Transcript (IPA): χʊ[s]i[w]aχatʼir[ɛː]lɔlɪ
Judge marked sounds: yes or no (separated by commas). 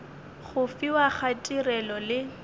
no, yes, no